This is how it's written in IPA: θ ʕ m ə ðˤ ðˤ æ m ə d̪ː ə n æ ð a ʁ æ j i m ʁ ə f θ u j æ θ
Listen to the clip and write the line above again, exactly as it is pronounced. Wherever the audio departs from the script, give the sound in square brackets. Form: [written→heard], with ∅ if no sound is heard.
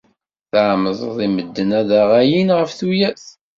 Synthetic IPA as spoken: θ ʕ m ə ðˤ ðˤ [æ→i] m ə d̪ː ə n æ ð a ʁ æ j i [m→n] ʁ ə f θ u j æ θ